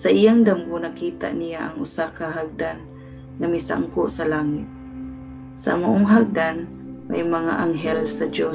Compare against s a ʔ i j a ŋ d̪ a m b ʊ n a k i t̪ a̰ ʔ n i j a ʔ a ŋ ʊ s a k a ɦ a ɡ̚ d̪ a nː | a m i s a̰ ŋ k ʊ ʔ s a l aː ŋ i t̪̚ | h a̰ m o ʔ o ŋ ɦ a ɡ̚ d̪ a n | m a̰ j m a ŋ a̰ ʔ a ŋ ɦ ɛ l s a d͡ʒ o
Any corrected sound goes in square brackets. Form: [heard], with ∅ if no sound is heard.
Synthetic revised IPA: s a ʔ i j a ŋ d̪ a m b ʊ n a k i t̪ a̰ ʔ n i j a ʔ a ŋ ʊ s a k a ɦ a ɡ̚ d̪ a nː | a m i s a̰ ŋ k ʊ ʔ s a l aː ŋ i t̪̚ | [s] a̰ m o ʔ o ŋ ɦ a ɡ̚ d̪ a n | m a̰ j m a ŋ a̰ ʔ a ŋ ɦ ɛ l s a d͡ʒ o